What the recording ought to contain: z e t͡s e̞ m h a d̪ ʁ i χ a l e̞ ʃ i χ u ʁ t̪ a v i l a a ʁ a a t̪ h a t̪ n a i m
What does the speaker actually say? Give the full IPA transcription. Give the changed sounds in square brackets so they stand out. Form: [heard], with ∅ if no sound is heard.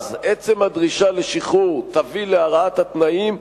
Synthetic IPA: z e t͡s e̞ m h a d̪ ʁ i [ʃ] a l e̞ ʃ i χ u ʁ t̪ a v i l [e] a ʁ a a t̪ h a t̪ n a i m